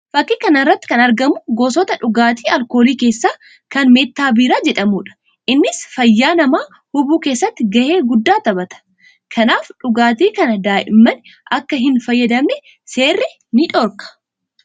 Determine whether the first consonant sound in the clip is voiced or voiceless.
voiceless